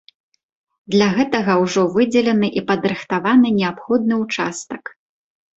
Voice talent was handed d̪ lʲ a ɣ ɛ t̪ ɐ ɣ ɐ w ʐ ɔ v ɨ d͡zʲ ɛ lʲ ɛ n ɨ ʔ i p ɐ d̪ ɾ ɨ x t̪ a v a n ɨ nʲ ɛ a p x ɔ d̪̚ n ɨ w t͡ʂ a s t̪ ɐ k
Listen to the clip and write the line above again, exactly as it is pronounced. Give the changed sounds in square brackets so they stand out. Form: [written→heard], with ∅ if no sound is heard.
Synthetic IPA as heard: d̪ lʲ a ɣ ɛ t̪ ɐ ɣ ɐ w ʐ ɔ v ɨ d͡zʲ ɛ lʲ ɛ n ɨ ʔ i p ɐ d̪ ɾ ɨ x t̪ a v a n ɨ nʲ ɛ a p x ɔ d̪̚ n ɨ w t͡ʂ a s t̪ ɐ k